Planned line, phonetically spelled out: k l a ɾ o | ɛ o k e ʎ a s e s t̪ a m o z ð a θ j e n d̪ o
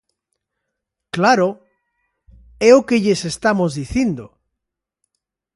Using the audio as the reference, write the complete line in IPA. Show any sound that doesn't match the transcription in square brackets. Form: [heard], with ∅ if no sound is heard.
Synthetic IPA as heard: k l a ɾ o | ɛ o k e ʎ [e] s e s t̪ a m o z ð [i] θ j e n d̪ o

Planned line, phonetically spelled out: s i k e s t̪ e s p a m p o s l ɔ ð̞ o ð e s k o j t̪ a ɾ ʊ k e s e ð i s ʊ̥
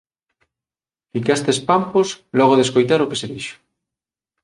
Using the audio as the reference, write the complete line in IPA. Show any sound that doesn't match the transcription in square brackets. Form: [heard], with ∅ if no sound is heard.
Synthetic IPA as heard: [f] i k [a] s t̪ e s p a m p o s l ɔ [ɣ̞] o ð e s k o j t̪ a ɾ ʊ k e s e ð i [ʃ] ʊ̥

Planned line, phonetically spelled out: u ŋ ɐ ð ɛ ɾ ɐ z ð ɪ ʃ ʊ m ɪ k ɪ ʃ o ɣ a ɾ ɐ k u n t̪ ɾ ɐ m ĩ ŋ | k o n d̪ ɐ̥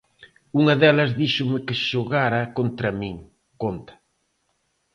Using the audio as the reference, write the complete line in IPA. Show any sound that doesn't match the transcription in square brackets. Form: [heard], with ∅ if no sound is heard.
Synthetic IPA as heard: u ŋ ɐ ð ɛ [l] ɐ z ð [i] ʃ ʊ m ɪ k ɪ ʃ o ɣ a ɾ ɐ k [o] n t̪ ɾ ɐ m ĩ ŋ | k o n [t̪] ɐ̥

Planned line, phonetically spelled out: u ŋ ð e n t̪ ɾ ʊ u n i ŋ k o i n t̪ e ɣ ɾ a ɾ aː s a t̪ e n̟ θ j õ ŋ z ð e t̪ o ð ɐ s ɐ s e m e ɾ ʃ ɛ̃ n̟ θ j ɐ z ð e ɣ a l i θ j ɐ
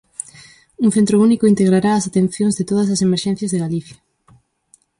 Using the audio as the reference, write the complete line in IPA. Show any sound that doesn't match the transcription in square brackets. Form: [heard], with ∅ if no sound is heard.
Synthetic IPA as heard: u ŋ [θ] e n t̪ ɾ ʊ u n i [∅] k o i n t̪ e ɣ ɾ a ɾ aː s a t̪ e n̟ θ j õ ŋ z ð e t̪ o ð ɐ s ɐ s e m e ɾ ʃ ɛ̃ n̟ θ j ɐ z ð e ɣ a l i θ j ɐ

